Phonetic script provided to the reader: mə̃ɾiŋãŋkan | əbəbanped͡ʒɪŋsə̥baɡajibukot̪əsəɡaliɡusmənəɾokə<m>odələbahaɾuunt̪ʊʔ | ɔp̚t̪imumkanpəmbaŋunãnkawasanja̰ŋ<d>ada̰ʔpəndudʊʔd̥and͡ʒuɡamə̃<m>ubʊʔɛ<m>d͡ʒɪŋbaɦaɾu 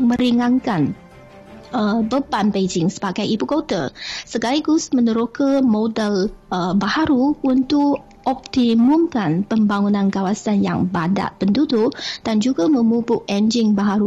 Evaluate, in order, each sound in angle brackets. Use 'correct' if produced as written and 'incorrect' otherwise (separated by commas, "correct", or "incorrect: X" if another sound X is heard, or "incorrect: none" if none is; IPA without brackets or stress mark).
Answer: correct, incorrect: b, correct, incorrect: n